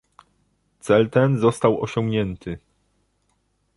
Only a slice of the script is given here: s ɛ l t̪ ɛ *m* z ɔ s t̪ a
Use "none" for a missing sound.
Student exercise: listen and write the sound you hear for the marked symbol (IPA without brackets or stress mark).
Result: n